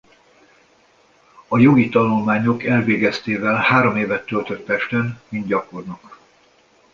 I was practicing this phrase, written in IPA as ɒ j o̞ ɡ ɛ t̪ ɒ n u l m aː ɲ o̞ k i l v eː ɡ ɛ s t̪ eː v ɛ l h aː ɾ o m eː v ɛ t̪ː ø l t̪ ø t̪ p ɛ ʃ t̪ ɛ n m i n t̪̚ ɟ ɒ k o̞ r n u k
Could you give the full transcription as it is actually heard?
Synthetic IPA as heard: ɒ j o̞ ɡ i t̪ ɒ n u l m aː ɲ o̞ k ɛ l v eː ɡ ɛ s t̪ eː v ɛ l h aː ɾ o m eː v ɛ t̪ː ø l t̪ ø t̪ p ɛ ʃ t̪ ɛ n m i n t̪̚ ɟ ɒ k o̞ r n ɒ k